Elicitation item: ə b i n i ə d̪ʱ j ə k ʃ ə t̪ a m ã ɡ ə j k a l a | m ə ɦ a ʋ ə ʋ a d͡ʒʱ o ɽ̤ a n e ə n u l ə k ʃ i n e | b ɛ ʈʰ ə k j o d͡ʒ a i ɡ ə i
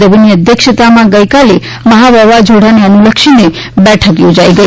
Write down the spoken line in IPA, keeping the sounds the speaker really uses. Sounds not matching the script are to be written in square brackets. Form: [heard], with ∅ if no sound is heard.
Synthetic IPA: ə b i n i ə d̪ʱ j ə k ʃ ə t̪ a m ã ɡ ə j k a l [e] | m ə ɦ a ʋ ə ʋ a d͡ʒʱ o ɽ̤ a n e ə n u l ə k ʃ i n e | b ɛ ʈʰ ə k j o d͡ʒ a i ɡ ə i